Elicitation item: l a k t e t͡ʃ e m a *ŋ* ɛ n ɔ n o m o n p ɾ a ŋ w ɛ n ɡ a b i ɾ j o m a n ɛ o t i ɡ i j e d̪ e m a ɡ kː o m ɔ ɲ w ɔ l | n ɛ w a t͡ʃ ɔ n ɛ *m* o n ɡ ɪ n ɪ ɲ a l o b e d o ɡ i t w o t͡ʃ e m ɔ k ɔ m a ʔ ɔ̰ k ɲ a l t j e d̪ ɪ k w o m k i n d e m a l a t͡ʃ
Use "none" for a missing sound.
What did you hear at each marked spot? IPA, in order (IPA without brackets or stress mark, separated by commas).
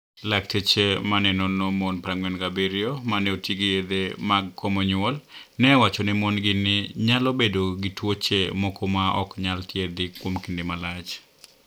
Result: n, m